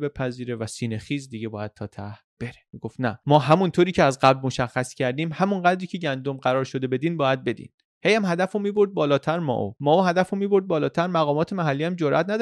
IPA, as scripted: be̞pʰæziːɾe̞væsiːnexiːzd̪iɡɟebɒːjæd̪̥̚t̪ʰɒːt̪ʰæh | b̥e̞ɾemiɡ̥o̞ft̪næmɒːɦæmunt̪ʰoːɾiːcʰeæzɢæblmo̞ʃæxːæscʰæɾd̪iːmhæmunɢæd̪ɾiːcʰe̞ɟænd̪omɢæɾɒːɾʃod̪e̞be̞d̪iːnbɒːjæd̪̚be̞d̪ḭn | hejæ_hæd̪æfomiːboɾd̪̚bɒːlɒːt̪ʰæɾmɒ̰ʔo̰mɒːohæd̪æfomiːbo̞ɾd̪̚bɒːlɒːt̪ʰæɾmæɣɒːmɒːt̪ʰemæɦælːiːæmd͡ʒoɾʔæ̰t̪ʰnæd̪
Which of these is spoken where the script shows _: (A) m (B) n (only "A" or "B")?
A